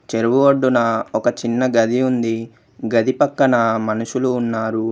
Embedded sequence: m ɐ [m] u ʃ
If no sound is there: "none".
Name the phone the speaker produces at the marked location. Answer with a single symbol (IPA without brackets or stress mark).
n